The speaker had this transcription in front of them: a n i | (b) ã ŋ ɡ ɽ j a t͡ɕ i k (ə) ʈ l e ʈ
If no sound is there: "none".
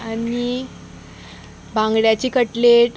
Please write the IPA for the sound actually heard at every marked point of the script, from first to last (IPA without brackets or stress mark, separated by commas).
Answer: b, ə